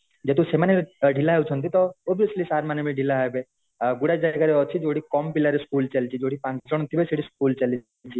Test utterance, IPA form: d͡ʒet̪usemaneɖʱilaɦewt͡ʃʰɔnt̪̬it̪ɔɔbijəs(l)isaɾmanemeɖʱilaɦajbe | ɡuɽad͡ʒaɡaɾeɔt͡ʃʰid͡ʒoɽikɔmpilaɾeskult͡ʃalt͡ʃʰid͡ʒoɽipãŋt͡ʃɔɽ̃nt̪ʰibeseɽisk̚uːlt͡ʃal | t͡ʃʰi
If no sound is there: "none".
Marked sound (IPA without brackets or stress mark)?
l